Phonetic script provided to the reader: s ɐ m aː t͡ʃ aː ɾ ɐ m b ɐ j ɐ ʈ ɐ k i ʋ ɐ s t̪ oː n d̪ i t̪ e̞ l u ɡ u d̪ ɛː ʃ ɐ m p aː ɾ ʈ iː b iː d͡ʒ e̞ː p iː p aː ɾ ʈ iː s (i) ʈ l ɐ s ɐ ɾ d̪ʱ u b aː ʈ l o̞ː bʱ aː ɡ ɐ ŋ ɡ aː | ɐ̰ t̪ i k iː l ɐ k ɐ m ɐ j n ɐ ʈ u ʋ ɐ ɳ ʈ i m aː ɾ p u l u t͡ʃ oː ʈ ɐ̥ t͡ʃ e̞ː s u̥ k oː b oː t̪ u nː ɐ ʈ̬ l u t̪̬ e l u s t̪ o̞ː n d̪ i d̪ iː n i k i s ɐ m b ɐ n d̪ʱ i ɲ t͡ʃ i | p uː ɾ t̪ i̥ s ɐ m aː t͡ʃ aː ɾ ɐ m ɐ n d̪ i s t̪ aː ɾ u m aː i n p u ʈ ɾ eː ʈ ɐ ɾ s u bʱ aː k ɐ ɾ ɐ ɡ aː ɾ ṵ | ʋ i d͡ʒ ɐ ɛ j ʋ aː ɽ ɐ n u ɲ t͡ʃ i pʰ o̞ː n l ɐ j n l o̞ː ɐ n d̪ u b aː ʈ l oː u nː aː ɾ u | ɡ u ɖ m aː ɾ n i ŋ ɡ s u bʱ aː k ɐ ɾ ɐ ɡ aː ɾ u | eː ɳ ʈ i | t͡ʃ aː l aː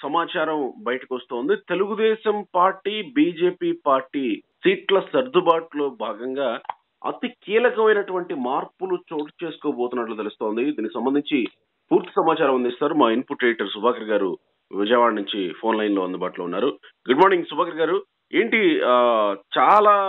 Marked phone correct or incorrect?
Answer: incorrect